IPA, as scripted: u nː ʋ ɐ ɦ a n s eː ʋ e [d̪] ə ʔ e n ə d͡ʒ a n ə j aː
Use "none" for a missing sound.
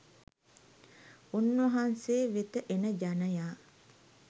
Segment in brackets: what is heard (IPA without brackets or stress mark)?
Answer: t̪